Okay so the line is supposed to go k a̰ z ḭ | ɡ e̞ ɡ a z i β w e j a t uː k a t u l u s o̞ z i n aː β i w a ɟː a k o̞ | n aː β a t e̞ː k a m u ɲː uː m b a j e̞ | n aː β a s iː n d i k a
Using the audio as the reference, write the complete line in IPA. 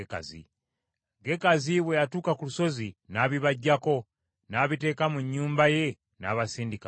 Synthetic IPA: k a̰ z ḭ | ɡ e̞ k a z i β w e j a t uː k a k u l u s o̞ z i n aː β i β a ɟː a k o̞ | n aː β i t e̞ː k a m u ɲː uː m b a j e̞ | n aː β a s iː n d i k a